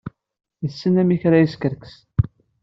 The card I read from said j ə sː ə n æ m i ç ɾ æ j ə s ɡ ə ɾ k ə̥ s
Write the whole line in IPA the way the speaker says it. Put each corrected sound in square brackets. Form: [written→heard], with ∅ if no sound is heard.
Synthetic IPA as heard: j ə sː ə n æ m i ç ɾ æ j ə s [ɡ→k] ə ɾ k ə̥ s